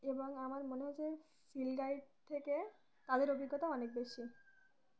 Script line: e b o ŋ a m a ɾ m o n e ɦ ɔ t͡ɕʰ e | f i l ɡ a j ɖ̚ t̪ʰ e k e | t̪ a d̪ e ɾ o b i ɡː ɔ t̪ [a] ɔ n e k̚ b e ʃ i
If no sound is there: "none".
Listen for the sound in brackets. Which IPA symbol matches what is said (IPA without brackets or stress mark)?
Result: a